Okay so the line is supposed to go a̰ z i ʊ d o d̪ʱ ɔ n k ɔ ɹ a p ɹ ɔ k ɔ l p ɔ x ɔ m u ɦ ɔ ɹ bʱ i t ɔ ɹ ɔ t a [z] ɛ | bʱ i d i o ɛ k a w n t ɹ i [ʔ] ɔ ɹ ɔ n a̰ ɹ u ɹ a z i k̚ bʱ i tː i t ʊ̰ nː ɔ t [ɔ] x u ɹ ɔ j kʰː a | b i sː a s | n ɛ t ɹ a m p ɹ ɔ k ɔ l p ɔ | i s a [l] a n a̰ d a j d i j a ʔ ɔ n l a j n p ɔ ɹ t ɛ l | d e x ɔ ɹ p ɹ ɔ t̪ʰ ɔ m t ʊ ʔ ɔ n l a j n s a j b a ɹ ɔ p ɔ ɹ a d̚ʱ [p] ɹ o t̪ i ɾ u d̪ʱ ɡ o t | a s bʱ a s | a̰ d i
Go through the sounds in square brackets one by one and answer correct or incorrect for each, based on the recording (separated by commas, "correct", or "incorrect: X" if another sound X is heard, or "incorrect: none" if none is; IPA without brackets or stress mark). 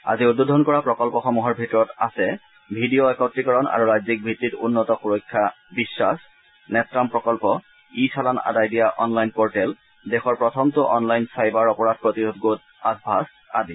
incorrect: s, incorrect: k, correct, correct, correct